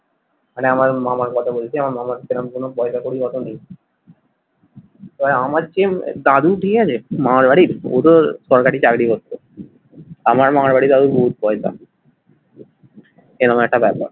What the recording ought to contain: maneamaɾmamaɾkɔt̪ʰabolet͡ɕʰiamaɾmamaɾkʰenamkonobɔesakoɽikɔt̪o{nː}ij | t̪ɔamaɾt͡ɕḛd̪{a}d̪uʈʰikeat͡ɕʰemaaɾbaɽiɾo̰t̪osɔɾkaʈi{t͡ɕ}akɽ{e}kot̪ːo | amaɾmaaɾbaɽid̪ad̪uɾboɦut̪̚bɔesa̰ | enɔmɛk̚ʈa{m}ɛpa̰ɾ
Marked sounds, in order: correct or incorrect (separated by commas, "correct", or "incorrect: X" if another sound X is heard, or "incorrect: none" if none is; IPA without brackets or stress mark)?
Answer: incorrect: n, correct, correct, incorrect: i, incorrect: b